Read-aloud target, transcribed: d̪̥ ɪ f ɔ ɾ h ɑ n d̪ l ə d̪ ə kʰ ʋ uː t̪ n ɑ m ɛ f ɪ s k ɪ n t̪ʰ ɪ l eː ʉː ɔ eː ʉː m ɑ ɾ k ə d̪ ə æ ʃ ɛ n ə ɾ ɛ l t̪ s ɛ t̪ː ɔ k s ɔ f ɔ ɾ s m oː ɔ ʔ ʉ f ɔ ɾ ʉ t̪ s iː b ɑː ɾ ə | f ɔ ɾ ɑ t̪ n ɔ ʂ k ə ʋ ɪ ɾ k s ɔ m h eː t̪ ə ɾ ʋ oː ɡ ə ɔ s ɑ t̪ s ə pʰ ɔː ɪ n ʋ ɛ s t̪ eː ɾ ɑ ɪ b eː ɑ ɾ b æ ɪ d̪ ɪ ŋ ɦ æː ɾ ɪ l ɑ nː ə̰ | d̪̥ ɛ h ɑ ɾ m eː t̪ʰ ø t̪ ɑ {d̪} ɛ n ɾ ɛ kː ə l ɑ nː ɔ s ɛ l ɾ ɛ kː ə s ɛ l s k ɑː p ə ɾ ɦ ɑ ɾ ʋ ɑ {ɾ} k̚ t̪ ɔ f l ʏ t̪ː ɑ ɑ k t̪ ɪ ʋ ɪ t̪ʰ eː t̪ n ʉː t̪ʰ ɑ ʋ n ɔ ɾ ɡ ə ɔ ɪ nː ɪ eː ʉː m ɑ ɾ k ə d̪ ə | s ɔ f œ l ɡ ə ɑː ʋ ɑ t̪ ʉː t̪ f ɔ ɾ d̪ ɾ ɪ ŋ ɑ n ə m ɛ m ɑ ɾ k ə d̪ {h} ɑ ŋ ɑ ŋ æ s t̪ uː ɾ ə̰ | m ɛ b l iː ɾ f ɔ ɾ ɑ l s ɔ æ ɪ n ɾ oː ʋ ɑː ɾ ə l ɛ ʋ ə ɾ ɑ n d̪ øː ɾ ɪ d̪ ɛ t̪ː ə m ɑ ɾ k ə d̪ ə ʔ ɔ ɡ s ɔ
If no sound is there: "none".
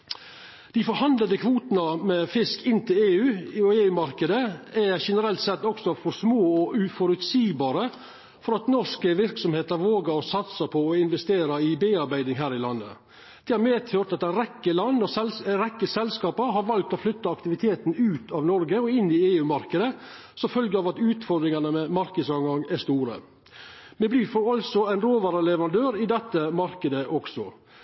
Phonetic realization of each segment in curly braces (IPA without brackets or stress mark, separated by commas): t̪, l, s